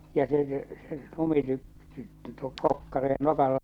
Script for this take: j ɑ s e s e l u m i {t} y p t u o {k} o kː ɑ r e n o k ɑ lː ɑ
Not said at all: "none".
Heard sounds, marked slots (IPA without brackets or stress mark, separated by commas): t, k